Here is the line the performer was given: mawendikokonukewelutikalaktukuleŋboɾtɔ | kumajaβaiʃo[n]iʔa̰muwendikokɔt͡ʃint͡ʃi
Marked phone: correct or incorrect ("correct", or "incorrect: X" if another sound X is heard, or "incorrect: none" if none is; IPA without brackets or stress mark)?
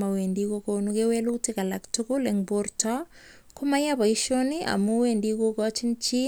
correct